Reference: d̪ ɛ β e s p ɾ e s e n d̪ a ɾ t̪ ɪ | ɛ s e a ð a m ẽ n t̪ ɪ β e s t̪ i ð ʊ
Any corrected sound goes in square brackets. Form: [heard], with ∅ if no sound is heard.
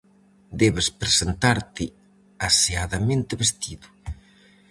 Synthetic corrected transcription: d̪ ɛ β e s p ɾ e s e n [t̪] a ɾ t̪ ɪ | [a] s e a ð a m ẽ n t̪ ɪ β e s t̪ i ð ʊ